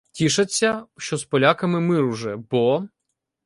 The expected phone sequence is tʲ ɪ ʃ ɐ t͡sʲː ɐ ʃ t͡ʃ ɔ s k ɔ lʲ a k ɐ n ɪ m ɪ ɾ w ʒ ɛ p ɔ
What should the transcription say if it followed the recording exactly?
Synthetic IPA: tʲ i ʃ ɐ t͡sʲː ɐ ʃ t͡ʃ ɔ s p ɔ lʲ a k ɐ m ɪ m ɪ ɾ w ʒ ɛ b ɔ